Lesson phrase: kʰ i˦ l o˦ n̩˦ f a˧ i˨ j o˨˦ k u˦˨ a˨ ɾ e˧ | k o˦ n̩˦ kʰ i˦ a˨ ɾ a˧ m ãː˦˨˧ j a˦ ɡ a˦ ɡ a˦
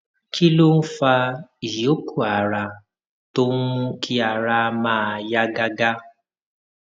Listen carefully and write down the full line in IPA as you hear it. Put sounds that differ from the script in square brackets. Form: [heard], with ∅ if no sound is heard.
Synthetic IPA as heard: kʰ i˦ l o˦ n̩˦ f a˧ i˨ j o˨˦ k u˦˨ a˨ ɾ [a˧] | [t] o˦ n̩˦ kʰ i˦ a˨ ɾ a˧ m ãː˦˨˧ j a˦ ɡ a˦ ɡ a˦